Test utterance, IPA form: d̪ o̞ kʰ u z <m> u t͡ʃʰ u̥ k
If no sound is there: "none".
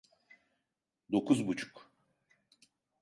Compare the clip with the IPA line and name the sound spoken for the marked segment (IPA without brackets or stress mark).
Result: b